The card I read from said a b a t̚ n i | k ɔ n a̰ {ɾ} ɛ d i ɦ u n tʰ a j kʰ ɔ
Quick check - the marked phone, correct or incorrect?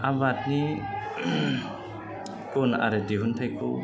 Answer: correct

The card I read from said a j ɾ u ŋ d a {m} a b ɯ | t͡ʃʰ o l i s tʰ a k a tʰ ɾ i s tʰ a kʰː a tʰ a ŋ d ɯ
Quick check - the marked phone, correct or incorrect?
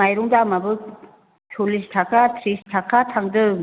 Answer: correct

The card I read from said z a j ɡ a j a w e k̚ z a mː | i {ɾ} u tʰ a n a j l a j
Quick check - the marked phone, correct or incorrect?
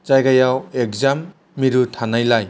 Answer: correct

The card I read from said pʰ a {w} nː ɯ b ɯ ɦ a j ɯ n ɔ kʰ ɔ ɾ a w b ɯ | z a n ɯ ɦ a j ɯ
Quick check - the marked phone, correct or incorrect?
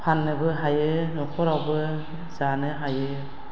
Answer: incorrect: none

